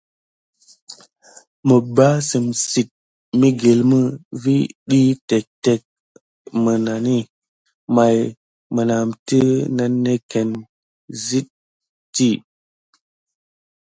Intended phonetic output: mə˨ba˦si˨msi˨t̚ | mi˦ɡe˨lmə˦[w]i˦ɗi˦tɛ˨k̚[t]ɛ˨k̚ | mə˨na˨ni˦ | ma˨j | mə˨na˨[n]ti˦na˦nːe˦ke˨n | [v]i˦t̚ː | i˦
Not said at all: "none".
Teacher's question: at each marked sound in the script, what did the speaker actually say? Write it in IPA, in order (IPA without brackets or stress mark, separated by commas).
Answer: v, t, m, z